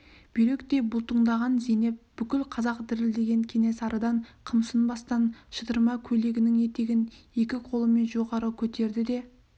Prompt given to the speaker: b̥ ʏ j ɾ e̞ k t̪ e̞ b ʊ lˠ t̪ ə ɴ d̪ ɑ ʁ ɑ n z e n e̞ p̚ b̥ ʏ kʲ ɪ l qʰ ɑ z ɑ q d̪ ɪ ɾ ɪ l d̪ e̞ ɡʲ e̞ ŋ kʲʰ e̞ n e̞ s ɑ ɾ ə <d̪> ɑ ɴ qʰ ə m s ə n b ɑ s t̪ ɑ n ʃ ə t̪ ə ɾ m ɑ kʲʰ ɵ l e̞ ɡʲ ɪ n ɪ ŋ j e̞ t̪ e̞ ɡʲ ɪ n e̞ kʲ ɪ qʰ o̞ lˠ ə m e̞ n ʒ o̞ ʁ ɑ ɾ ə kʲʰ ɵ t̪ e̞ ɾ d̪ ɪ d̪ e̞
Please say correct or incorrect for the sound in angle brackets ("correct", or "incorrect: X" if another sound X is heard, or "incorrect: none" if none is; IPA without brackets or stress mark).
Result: correct